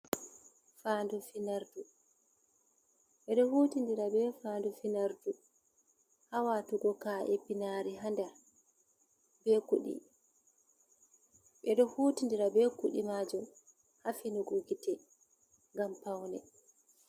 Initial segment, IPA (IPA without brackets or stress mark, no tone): f